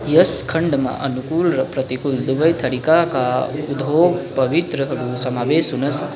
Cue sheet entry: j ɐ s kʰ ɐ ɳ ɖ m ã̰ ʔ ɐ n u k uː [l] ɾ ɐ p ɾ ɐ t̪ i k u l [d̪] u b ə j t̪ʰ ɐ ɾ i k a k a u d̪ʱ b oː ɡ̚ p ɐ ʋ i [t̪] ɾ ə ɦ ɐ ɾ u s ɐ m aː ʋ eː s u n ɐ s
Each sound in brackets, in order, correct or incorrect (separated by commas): correct, correct, correct